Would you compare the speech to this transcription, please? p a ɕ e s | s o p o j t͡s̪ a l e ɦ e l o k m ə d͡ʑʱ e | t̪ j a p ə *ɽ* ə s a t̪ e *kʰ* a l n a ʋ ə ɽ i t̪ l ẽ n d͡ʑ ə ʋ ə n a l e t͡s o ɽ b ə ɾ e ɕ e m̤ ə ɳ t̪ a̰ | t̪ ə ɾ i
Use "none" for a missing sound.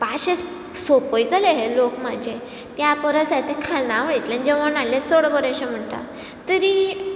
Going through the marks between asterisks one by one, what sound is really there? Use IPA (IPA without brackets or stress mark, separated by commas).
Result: ɾ, kʰ